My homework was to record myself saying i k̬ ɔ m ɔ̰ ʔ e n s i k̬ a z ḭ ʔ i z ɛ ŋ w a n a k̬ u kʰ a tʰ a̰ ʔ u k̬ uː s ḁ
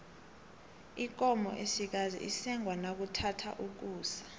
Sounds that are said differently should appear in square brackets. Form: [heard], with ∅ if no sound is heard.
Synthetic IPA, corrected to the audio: i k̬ ɔ m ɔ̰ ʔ e [∅] s i k̬ a z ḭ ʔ i [s] ɛ ŋ w a n a k̬ u [tʰ] a tʰ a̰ ʔ u k̬ uː s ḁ